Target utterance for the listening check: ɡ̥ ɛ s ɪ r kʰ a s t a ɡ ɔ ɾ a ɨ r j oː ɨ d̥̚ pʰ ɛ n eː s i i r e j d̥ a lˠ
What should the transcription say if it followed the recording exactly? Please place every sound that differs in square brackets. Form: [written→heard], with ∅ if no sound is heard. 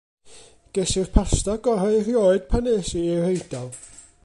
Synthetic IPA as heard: ɡ̥ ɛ s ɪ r [kʰ→pʰ] a s t a ɡ ɔ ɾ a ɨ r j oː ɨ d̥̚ pʰ [ɛ→a] n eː s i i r e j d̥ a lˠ